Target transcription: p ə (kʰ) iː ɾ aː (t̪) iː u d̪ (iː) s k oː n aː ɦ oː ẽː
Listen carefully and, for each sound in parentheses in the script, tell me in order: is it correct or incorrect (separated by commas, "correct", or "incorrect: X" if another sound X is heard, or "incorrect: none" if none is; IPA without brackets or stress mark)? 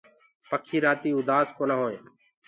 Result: correct, correct, incorrect: aː